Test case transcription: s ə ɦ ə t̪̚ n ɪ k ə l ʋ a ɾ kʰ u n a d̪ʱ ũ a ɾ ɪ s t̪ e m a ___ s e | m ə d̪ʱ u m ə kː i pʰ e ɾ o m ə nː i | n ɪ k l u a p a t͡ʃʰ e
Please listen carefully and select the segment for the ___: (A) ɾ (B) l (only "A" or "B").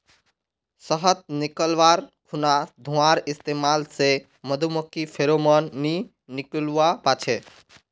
B